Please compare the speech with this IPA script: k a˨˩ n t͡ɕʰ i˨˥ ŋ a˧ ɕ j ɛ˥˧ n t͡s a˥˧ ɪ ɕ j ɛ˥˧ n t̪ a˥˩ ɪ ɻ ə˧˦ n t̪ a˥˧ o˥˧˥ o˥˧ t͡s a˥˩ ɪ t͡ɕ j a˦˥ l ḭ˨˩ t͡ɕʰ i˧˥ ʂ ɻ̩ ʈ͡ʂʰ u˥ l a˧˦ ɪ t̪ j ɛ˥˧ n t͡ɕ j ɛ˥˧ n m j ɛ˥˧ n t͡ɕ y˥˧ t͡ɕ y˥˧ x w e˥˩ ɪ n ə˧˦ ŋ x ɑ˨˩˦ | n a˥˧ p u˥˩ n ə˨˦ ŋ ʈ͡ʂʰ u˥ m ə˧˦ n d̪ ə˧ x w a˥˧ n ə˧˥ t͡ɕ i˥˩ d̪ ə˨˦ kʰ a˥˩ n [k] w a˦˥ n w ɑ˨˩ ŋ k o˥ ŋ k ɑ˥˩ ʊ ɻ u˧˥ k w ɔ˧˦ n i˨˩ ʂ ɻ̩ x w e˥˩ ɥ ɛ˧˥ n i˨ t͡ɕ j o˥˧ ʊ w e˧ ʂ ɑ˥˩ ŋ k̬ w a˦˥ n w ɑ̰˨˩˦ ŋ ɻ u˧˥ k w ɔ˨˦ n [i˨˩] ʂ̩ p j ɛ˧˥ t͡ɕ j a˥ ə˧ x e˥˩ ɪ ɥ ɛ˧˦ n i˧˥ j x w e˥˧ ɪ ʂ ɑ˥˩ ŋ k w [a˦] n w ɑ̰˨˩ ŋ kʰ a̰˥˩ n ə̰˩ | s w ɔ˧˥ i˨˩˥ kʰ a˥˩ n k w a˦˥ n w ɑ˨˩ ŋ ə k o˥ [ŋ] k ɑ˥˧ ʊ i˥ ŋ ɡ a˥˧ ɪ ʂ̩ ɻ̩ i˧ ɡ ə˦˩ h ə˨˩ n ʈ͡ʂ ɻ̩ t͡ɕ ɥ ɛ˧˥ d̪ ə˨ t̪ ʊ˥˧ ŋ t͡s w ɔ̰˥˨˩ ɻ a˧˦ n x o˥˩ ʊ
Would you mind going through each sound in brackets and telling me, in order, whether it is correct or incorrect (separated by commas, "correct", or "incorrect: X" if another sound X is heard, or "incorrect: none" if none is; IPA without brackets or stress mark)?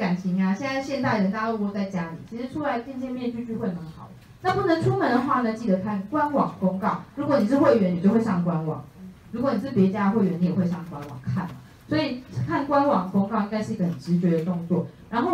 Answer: correct, correct, correct, correct